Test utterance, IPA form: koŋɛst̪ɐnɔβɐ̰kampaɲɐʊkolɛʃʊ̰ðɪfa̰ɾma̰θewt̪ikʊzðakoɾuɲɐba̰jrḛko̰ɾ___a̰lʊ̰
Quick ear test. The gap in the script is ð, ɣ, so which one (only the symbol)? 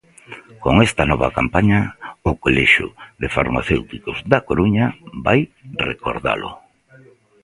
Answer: ð